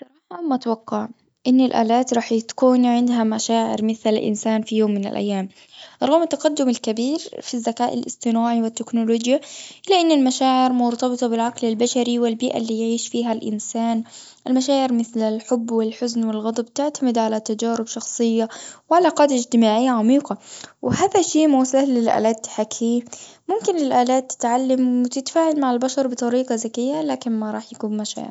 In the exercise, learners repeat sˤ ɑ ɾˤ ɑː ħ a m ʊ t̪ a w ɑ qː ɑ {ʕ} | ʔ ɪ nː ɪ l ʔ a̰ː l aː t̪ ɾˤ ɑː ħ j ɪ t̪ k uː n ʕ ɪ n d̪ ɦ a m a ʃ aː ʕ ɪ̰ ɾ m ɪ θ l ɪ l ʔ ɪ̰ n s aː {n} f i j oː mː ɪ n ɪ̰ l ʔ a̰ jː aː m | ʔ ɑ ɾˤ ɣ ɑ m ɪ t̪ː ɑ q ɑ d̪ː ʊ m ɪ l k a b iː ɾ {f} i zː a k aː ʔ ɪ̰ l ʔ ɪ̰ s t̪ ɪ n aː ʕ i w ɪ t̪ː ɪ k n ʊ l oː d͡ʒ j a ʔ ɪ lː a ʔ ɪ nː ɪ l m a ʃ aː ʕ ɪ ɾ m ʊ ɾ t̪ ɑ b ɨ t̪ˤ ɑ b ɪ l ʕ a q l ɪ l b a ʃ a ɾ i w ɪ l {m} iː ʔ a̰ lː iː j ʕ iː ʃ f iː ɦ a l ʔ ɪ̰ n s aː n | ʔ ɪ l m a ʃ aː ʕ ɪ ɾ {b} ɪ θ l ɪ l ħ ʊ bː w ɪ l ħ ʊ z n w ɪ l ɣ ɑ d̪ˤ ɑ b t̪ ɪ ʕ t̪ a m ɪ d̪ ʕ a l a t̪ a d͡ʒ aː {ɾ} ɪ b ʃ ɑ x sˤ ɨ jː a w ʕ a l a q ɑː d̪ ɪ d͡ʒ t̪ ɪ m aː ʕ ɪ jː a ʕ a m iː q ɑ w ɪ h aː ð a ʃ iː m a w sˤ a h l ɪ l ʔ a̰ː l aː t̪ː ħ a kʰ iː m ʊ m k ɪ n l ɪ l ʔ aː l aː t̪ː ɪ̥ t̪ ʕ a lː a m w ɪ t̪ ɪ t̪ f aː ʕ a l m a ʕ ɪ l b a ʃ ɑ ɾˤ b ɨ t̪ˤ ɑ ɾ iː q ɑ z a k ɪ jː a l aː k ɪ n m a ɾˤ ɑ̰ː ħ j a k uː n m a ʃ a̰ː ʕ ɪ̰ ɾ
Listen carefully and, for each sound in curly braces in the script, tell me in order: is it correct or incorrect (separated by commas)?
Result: correct, correct, correct, incorrect, incorrect, correct